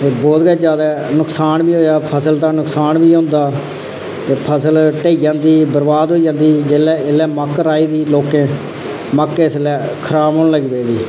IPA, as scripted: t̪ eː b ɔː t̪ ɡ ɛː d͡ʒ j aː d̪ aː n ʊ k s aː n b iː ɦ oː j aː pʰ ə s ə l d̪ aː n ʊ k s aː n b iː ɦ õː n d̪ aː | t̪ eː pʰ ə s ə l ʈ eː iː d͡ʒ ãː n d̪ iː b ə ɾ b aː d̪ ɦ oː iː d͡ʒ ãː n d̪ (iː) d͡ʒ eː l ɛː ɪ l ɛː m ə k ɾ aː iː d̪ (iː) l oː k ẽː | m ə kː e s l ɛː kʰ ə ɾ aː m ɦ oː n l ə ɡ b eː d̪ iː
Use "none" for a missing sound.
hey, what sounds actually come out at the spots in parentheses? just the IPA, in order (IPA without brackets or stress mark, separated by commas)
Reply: iː, iː